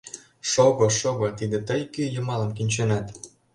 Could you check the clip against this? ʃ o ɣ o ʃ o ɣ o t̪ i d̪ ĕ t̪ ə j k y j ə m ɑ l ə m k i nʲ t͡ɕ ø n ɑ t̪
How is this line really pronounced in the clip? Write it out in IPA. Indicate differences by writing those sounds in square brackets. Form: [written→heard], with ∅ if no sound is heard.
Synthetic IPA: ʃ o ɣ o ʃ o ɣ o t̪ i d̪ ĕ t̪ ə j k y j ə m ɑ l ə m k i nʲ t͡ɕ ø n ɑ t̪